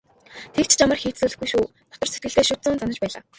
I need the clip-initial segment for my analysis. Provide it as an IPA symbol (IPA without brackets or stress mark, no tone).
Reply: t̪ʰ